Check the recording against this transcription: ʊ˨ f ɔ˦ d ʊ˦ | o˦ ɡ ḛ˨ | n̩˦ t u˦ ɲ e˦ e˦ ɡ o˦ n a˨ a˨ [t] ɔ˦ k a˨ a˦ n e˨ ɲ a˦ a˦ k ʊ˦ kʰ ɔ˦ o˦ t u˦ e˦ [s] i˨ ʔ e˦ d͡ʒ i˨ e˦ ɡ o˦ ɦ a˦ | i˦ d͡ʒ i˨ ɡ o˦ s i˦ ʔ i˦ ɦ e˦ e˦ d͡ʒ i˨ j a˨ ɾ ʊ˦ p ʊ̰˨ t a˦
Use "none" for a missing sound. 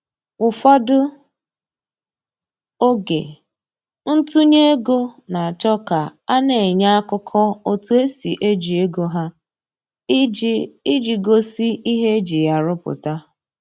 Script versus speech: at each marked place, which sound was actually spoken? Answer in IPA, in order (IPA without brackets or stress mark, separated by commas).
t͡ʃ, s